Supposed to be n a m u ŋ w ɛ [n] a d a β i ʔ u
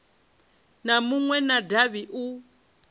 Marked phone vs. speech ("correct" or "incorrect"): correct